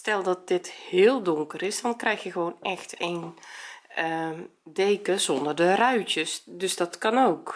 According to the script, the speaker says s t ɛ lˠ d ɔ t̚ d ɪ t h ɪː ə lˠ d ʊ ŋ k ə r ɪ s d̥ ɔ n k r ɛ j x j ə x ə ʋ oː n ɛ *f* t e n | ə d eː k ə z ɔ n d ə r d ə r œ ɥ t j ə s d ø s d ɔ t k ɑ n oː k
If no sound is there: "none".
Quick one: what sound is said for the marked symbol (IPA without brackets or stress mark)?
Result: x